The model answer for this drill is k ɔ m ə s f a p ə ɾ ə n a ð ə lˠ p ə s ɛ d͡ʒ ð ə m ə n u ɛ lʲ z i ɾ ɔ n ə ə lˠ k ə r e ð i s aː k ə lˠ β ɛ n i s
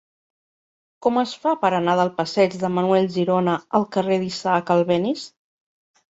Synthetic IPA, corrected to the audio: k ɔ m ə s f a p ə ɾ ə n a ð ə lˠ p ə s ɛ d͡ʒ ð ə m ə n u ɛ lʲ ʒ i ɾ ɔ n ə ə lˠ k ə r e ð i s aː k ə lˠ β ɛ n i s